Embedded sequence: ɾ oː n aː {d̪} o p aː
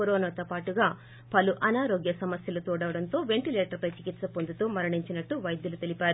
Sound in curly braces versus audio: incorrect: t̪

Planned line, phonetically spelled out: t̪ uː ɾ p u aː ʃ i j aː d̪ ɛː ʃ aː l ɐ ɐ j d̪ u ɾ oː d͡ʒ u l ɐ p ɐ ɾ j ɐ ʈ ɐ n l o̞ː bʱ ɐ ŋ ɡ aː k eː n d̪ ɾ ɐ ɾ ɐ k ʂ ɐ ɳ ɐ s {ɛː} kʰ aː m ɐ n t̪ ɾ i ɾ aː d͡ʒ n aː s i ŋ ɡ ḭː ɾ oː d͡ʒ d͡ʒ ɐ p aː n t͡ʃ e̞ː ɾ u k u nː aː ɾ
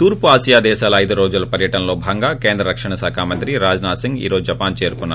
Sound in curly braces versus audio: incorrect: aː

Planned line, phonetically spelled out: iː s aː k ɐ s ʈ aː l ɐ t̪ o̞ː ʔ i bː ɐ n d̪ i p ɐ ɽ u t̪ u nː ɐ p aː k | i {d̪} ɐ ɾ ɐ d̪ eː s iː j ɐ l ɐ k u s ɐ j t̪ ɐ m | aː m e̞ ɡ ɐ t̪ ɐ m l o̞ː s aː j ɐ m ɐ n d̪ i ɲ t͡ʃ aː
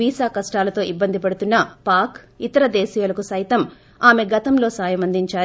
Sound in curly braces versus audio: incorrect: t̪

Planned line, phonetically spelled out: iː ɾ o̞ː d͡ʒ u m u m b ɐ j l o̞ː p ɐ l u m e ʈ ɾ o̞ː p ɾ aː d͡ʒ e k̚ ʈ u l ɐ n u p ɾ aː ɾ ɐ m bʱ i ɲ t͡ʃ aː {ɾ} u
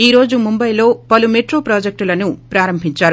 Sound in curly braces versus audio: correct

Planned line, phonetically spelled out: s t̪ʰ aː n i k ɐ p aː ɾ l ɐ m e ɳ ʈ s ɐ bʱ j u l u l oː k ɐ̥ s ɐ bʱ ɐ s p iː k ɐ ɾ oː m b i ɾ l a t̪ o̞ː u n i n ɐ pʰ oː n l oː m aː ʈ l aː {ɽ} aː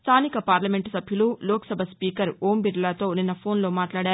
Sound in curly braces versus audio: correct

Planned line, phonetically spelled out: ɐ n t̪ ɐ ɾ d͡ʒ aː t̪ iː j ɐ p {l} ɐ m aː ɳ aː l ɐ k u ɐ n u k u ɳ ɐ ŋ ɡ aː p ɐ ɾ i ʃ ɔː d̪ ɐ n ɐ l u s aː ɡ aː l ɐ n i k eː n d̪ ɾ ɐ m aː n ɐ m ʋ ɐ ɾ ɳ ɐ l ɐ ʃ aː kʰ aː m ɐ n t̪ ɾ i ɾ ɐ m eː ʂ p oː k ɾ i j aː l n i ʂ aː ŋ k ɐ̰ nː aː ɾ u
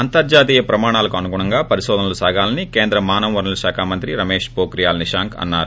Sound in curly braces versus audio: incorrect: ɾ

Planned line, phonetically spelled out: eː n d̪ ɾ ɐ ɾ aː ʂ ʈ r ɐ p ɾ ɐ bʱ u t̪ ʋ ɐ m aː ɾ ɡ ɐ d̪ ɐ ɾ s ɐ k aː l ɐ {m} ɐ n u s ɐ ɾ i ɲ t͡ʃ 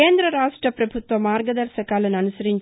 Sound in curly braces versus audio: incorrect: n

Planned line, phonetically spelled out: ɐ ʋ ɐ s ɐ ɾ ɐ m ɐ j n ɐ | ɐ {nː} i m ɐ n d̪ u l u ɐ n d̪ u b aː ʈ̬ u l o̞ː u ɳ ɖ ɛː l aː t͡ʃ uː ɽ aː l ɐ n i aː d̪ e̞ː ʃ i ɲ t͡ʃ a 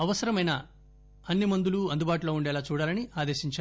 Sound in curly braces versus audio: correct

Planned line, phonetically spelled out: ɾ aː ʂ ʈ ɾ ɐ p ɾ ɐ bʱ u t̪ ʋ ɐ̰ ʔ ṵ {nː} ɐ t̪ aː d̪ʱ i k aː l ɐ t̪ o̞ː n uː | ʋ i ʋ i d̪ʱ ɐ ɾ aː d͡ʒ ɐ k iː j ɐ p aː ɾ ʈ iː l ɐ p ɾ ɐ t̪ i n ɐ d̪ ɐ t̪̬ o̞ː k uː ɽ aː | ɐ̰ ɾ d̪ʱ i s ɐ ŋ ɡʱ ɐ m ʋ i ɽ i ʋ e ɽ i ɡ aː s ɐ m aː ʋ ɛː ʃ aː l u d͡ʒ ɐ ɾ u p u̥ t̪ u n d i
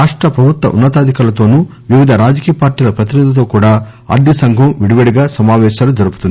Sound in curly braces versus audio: correct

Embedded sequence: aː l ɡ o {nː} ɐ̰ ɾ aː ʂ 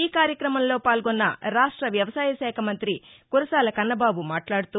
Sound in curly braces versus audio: correct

